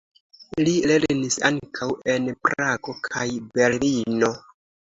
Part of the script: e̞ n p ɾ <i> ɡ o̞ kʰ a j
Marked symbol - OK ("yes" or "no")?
no